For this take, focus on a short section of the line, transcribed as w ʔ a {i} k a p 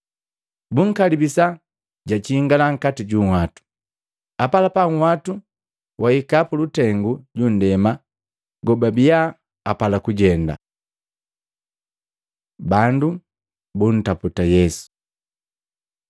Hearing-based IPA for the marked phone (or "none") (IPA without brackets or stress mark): i